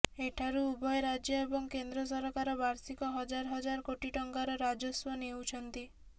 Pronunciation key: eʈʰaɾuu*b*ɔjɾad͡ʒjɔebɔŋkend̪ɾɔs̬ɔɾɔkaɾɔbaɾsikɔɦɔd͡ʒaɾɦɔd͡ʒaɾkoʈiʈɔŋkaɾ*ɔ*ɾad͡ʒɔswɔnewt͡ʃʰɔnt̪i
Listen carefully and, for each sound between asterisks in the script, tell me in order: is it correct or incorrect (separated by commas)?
correct, correct